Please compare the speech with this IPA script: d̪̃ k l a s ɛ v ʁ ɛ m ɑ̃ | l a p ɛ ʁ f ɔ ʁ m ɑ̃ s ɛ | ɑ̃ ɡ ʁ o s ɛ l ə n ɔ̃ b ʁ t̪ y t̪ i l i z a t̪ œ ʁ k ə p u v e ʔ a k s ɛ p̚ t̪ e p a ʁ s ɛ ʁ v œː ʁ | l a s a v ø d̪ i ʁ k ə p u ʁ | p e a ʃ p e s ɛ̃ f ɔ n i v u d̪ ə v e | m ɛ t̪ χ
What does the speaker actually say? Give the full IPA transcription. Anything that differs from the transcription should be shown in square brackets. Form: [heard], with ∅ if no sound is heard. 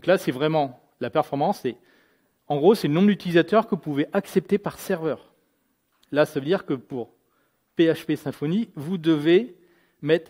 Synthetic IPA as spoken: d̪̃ k l a s ɛ v ʁ ɛ m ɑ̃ | l a p ɛ ʁ f ɔ ʁ m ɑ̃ s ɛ | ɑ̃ ɡ ʁ o s ɛ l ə n ɔ̃ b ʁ [d̪] y t̪ i l i z a t̪ œ ʁ k ə p u v e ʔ a k s ɛ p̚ t̪ e p a ʁ s ɛ ʁ v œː ʁ | l a s a v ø d̪ i ʁ k ə p u ʁ | p e a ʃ p e s ɛ̃ f ɔ n i v u d̪ ə v e | m ɛ t̪ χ

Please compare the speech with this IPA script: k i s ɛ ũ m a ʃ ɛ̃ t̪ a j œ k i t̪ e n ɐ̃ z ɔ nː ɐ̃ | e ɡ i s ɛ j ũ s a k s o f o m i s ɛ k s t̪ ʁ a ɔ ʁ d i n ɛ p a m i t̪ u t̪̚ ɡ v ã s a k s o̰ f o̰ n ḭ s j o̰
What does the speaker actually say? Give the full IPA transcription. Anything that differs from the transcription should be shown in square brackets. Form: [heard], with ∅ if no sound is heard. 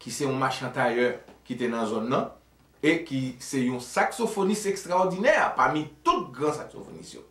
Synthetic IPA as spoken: k i s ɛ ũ m a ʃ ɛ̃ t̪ a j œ k i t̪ e n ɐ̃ z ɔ nː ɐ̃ | e [k] i s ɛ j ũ s a k s o f o [n] i s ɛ k s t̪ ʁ a ɔ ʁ d i n ɛ p a m i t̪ u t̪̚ ɡ [ʁ] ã s a k s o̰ f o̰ n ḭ s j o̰

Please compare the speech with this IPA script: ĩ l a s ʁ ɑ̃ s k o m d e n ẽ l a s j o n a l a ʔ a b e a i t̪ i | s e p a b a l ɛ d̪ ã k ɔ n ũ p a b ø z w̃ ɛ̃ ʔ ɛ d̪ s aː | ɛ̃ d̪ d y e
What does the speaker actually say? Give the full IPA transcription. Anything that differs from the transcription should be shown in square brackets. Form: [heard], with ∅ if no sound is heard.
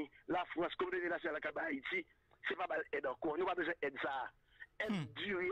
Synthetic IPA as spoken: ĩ l a [f] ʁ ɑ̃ s k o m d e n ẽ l a s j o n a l a [k] a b [a] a i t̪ i | s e p a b a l ɛ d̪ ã k ɔ n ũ p a b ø z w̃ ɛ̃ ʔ ɛ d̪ s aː | [ɛ] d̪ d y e

